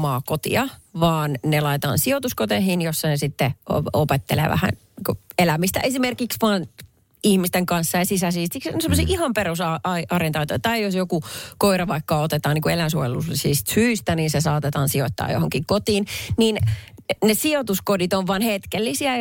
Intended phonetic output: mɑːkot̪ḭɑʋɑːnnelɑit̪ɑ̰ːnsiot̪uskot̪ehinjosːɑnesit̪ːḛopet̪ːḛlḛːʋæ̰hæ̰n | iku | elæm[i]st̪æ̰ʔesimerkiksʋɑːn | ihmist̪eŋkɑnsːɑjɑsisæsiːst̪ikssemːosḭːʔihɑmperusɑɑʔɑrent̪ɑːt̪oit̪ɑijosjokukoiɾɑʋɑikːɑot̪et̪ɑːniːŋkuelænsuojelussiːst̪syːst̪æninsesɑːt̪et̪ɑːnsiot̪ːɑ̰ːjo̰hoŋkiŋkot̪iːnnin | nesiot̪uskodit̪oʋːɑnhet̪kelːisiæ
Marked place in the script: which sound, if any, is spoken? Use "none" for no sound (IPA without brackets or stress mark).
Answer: i